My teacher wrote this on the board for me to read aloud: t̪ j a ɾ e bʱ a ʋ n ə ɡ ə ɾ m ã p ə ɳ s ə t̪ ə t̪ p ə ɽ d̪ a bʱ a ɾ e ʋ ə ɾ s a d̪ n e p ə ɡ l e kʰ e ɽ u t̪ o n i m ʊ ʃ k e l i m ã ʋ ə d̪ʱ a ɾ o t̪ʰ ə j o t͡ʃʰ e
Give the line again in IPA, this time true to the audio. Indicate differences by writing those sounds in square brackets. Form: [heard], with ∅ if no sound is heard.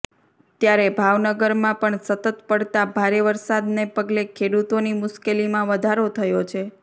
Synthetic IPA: t̪ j a ɾ e bʱ a ʋ n ə ɡ ə ɾ m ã p ə ɳ s ə t̪ ə t̪ p ə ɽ [t̪] a bʱ a ɾ e ʋ ə ɾ s a d̪ n e p ə ɡ l e kʰ e ɽ u t̪ o n i m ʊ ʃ k e l i m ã ʋ ə d̪ʱ a ɾ o t̪ʰ ə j o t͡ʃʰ e

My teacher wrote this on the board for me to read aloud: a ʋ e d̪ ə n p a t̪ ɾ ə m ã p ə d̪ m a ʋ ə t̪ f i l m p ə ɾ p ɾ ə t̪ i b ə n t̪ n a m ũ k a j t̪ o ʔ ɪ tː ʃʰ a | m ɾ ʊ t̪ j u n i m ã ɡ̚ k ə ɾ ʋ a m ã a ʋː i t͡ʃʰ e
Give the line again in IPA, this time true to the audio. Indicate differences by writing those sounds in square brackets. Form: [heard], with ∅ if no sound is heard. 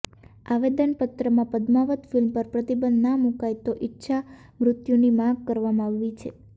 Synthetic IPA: a ʋ e d̪ ə n p [ə] t̪ ɾ ə m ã p ə d̪ m a ʋ ə t̪ f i l m p ə ɾ p ɾ ə t̪ i b ə n [d̪] n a m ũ k a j t̪ o ʔ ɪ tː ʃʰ a | m ɾ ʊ t̪ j u n i m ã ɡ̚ k ə ɾ ʋ a m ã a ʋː i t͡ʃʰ e

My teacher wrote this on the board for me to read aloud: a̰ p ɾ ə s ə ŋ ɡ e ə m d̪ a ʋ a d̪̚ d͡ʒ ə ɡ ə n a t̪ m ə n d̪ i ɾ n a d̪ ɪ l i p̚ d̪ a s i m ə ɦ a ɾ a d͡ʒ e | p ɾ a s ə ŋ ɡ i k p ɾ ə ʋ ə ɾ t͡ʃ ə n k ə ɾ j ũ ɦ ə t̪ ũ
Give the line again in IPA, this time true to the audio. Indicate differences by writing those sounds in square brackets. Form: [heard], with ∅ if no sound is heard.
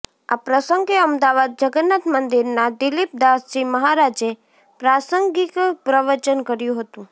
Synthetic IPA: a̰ p ɾ ə s ə ŋ ɡ e ə m d̪ a ʋ a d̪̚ d͡ʒ ə ɡ ə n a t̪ m ə n d̪ i ɾ n a d̪ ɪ l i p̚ d̪ a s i m ə ɦ a ɾ a d͡ʒ e | p ɾ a s ə ŋ ɡ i k p ɾ ə ʋ ə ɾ t͡ʃ ə n k ə ɾ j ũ ɦ ə t̪ ũ

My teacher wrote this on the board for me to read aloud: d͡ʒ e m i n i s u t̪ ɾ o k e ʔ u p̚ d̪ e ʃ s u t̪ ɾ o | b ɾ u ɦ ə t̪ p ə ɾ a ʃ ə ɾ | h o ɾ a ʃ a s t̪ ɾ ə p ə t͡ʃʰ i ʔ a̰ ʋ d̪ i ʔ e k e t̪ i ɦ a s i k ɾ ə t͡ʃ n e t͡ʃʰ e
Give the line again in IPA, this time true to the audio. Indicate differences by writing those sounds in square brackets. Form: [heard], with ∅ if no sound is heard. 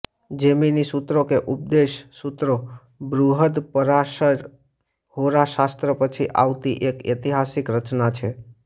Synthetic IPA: d͡ʒ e m i n i s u t̪ ɾ o k e ʔ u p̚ d̪ e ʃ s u t̪ ɾ o | b ɾ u ɦ ə [d̪] p ə ɾ a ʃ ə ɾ | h o ɾ a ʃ a s t̪ ɾ ə p ə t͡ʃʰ i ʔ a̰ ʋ [t̪] i ʔ e k e t̪ i ɦ a s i k ɾ ə t͡ʃ n [a] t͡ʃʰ e

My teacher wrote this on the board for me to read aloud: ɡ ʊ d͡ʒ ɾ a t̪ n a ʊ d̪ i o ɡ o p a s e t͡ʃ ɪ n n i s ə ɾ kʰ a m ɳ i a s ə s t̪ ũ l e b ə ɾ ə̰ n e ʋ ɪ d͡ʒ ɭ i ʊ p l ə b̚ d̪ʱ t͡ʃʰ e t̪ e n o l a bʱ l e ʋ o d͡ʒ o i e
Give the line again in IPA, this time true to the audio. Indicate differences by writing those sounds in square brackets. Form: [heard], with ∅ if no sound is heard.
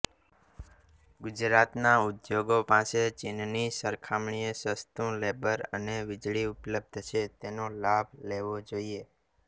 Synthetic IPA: ɡ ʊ d͡ʒ ɾ a t̪ n a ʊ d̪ [j] o ɡ o p a s e t͡ʃ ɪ n n i s ə ɾ kʰ a m ɳ i [e] s ə s t̪ ũ l e b ə ɾ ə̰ n e ʋ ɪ d͡ʒ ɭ i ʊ p l ə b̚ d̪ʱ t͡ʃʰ e t̪ e n o l a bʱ l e ʋ o d͡ʒ o i e

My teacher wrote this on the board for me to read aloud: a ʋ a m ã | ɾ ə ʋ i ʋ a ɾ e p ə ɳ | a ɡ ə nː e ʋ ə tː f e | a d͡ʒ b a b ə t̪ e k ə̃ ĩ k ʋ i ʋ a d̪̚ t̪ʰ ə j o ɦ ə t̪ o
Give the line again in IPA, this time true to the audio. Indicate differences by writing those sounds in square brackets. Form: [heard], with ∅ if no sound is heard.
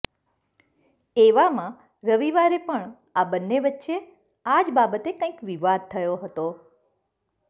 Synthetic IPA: [e] ʋ a m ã | ɾ ə ʋ i ʋ a ɾ e p ə ɳ | a [b] ə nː e ʋ ə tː [ʃ] e | a d͡ʒ b a b ə t̪ e k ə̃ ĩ k ʋ i ʋ a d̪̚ t̪ʰ ə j o ɦ ə t̪ o

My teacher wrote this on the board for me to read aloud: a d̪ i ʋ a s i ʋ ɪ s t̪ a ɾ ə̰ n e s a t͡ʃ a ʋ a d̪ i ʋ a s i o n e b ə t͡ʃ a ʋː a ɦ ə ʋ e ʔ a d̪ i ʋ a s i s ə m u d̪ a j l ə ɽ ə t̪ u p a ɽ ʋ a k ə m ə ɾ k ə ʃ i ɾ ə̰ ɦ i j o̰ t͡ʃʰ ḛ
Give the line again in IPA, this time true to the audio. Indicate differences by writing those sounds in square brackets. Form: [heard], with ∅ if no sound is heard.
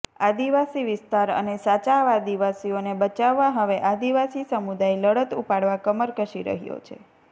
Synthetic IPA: a d̪ i ʋ a s i ʋ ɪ s t̪ a ɾ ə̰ n e s a t͡ʃ a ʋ a d̪ i ʋ a s i o n e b ə t͡ʃ a ʋː a ɦ ə ʋ e ʔ a d̪ i ʋ a s i s ə m u d̪ a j l ə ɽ ə t̪ u p a ɽ ʋ a k ə m ə ɾ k ə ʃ i ɾ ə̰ ɦ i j o̰ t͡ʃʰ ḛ

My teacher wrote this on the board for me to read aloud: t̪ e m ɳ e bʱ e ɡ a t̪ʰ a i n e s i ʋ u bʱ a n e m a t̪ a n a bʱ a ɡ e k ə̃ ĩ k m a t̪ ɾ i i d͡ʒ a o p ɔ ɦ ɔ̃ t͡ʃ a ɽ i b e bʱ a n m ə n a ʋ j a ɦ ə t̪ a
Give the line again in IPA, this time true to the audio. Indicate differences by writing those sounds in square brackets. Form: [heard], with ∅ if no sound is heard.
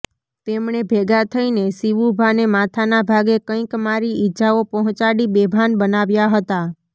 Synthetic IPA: t̪ e m ɳ e bʱ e ɡ a t̪ʰ [ə] i n e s i ʋ u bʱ a n e m a [t̪ʰ] a n a bʱ a ɡ e k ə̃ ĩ k m a [∅] ɾ i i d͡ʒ a o p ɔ ɦ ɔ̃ t͡ʃ a ɽ i b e bʱ a n [b] ə n a ʋ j a ɦ ə t̪ a

